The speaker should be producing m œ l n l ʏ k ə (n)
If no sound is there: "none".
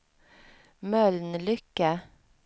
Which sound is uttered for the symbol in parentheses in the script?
none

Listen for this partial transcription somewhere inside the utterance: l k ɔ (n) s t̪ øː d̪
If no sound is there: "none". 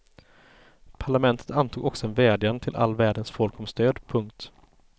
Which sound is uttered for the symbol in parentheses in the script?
m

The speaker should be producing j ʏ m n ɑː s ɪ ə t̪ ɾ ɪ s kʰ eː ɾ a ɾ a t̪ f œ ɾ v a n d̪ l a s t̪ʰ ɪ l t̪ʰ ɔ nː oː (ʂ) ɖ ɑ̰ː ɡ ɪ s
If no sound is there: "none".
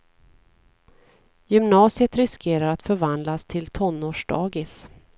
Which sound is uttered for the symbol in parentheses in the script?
ʂ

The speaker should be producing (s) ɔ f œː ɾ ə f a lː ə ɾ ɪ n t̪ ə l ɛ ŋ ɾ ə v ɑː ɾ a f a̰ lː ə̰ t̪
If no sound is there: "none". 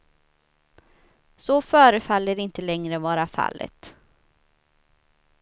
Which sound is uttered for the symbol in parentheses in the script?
s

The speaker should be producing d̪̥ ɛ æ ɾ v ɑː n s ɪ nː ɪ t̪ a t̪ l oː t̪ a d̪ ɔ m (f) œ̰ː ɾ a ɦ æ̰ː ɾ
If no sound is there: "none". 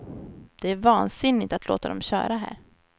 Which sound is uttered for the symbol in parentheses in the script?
ɕ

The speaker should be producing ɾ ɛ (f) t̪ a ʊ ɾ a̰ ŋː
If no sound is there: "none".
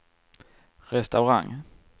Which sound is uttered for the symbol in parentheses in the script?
s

